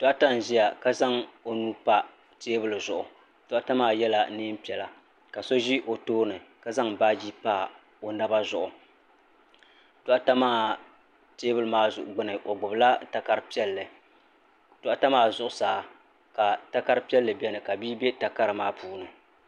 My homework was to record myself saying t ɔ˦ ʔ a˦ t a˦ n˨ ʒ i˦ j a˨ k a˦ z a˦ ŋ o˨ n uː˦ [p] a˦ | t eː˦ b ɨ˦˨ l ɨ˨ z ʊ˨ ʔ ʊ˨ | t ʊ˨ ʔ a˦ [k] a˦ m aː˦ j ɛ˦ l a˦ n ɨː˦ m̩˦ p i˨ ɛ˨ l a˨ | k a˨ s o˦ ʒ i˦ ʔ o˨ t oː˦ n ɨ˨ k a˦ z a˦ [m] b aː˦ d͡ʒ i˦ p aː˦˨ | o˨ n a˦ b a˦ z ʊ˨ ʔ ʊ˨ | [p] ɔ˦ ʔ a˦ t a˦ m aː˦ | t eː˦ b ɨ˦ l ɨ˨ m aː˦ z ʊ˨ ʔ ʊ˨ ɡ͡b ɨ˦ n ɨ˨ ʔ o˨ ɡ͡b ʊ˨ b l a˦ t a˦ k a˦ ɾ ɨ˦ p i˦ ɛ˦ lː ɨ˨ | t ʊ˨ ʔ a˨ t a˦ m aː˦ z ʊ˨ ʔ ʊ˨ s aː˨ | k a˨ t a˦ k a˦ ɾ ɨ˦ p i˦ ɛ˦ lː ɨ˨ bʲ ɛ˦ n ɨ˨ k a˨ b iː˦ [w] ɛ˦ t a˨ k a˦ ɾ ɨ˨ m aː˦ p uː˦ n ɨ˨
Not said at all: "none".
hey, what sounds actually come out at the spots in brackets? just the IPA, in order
p, t, ŋ, t, b

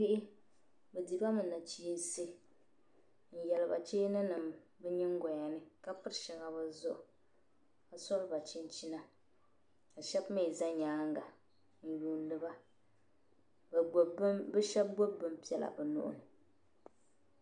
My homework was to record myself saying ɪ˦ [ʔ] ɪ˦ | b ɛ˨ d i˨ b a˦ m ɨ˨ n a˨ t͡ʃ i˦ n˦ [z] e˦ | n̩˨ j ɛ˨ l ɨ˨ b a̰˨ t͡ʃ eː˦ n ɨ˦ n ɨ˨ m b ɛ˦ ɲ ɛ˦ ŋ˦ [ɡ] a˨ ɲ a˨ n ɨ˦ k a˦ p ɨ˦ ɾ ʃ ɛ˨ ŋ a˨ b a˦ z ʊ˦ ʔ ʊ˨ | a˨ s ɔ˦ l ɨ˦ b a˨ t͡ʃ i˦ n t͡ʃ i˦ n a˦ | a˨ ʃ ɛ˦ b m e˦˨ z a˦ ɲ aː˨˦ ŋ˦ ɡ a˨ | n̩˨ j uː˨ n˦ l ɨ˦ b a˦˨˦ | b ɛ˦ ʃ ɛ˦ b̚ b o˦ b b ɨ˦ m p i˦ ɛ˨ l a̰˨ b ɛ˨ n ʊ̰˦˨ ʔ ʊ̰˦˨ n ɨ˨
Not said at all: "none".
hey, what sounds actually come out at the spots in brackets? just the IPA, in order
ʔ, s, ɡ

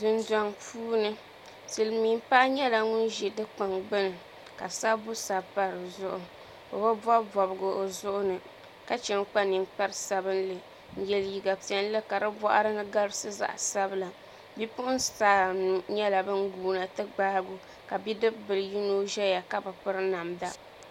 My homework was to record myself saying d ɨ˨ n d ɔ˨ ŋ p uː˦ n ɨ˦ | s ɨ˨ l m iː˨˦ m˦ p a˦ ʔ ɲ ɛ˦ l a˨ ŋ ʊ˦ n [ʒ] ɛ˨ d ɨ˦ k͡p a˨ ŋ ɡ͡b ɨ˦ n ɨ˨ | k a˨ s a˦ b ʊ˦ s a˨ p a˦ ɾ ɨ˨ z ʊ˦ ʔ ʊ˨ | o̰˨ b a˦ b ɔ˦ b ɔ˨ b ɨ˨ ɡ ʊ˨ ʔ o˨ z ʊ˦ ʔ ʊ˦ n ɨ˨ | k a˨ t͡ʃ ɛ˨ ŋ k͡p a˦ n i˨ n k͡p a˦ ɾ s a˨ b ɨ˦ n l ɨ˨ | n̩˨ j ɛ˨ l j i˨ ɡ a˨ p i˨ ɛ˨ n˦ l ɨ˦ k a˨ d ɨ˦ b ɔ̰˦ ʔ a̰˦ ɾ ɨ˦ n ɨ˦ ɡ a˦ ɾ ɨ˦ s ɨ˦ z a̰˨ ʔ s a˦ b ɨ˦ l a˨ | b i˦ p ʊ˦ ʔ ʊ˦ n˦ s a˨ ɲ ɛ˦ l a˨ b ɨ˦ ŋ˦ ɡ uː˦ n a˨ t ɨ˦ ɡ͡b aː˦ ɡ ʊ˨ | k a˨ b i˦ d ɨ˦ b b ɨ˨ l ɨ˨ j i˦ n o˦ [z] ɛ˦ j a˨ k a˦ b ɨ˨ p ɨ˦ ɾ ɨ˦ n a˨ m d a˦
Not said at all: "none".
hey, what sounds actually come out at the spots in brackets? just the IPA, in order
ʒ, ʒ

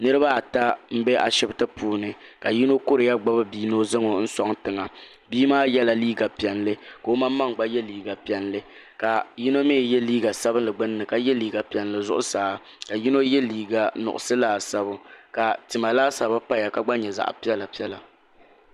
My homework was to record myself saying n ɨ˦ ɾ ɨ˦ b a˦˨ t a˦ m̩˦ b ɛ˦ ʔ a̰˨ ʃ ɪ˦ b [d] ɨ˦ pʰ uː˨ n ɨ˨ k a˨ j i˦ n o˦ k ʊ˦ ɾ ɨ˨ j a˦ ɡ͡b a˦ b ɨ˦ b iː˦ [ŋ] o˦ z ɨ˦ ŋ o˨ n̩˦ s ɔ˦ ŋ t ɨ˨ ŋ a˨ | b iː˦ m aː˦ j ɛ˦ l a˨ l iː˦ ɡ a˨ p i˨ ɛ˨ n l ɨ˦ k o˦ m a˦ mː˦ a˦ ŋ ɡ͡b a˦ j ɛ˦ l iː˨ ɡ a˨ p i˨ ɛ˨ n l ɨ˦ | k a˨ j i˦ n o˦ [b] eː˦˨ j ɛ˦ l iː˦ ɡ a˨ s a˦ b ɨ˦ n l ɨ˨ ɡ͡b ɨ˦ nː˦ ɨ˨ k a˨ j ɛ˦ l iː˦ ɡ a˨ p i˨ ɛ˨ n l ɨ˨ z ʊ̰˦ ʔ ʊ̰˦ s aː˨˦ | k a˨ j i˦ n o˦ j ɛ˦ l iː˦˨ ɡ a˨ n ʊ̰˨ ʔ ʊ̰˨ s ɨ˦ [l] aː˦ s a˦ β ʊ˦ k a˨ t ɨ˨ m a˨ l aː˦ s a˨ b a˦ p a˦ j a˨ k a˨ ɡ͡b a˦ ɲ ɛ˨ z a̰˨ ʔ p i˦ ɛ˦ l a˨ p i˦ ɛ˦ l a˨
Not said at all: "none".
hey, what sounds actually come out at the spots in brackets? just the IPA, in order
t, n, m, l

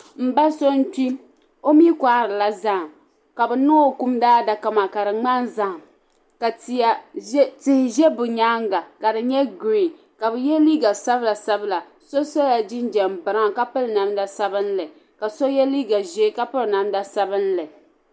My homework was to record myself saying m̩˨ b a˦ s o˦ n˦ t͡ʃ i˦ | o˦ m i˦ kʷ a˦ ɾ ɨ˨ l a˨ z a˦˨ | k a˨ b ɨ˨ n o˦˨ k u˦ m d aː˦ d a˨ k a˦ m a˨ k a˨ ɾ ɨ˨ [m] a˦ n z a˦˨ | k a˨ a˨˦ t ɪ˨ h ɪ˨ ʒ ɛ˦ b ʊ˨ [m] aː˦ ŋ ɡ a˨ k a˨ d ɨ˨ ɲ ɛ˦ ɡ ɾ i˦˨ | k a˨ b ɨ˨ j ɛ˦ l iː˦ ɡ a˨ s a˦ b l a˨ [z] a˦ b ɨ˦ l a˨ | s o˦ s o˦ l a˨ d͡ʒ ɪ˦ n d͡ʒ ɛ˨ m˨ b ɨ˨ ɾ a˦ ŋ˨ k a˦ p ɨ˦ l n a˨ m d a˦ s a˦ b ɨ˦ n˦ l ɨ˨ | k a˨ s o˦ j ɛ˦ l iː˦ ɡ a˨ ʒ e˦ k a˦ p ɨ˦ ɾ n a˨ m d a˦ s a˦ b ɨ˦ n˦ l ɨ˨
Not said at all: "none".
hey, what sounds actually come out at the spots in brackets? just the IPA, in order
ŋ͡m, ɲ, s

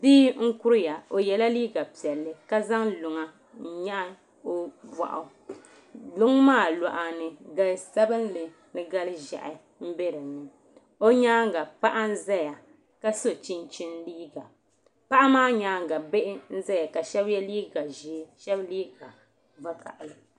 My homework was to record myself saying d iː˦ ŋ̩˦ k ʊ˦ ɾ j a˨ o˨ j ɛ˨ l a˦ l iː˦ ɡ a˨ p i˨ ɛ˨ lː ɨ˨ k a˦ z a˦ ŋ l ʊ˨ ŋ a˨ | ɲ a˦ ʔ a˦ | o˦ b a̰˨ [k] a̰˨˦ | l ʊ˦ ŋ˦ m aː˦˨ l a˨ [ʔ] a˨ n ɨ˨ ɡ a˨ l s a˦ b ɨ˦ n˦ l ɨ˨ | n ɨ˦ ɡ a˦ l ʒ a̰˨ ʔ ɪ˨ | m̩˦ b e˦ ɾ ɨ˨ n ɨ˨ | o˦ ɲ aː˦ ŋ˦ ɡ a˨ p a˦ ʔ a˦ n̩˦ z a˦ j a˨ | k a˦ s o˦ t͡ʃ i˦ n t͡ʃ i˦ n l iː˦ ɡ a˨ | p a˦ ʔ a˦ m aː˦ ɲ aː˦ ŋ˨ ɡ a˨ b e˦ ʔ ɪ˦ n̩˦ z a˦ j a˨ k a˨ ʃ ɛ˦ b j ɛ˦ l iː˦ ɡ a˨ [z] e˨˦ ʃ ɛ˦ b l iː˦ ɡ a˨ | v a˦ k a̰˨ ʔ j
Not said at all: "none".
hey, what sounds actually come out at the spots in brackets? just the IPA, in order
ʔ, ʔ, ʒ

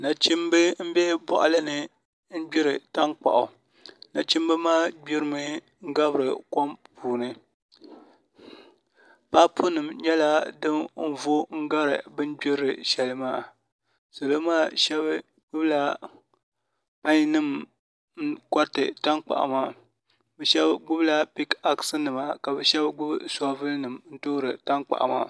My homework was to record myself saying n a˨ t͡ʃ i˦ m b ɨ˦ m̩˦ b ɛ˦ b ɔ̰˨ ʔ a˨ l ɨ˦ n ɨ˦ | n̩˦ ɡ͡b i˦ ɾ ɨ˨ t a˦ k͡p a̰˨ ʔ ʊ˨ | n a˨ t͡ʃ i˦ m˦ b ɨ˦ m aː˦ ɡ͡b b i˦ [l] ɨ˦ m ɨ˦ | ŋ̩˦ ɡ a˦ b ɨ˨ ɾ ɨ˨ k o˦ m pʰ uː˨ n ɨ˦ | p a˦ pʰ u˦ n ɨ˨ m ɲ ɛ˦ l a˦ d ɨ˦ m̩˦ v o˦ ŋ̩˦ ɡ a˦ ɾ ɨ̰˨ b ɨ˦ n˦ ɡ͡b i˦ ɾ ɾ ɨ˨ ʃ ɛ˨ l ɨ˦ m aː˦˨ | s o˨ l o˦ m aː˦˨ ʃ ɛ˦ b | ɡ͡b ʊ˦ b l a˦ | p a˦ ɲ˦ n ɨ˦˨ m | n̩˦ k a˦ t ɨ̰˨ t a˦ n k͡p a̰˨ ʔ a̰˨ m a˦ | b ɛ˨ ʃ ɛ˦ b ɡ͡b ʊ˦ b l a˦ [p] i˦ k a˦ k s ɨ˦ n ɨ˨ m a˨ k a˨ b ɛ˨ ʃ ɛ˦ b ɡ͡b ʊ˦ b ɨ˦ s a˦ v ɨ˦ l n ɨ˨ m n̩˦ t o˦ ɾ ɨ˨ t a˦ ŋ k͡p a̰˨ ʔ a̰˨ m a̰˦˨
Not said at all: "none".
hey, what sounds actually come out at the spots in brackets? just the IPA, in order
ɾ, p

